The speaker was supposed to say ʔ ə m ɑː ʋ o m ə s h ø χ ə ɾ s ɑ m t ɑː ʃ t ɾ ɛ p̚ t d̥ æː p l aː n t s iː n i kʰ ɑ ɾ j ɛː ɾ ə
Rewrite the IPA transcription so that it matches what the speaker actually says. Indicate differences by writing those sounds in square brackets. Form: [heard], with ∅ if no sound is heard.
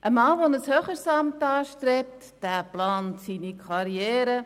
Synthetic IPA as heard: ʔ ə m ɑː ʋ o [n] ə s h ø χ ə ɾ s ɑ m t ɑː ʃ t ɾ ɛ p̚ t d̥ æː p l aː n t s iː n i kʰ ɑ ɾ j ɛː ɾ ə